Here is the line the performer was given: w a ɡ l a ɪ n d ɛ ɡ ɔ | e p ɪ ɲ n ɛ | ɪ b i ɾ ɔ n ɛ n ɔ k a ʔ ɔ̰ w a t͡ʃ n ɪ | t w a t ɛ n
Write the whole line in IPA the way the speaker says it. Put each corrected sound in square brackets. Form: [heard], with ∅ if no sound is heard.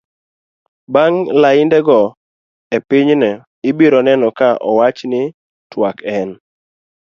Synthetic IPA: [b] a [ŋ] l a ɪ n d ɛ ɡ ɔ | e p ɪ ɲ n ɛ | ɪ b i ɾ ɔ n ɛ n ɔ k a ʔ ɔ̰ w a t͡ʃ n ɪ | t w a [k] ɛ n